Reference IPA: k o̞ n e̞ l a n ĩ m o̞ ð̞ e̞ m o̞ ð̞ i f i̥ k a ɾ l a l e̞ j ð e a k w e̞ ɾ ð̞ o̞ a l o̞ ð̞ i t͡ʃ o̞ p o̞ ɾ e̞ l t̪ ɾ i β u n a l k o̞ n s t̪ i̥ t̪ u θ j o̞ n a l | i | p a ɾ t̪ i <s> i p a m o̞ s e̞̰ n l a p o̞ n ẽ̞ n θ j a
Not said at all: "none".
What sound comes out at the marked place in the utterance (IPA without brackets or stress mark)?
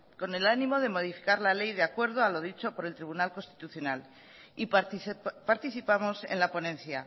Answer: θ